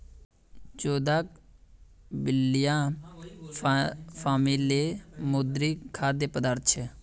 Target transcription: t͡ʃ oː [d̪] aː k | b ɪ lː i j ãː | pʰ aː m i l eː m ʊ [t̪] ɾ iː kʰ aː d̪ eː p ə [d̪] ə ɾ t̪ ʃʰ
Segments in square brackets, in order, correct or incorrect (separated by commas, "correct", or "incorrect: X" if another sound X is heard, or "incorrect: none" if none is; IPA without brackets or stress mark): correct, incorrect: d̪, correct